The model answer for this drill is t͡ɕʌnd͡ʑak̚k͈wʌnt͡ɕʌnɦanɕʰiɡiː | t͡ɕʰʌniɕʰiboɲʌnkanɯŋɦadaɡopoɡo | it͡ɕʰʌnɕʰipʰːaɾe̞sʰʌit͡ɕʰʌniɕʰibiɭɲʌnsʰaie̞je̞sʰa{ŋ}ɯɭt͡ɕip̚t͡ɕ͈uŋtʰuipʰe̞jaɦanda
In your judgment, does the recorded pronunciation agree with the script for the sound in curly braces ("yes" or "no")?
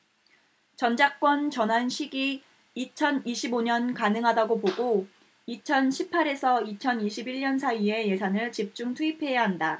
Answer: no